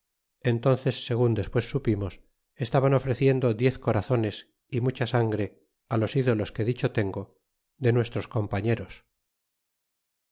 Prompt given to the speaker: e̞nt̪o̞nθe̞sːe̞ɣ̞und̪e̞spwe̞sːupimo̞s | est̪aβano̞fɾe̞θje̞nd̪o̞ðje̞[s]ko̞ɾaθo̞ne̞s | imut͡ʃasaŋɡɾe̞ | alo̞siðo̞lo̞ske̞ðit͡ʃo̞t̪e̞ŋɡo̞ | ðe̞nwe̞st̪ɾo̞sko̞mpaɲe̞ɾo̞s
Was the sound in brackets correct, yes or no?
no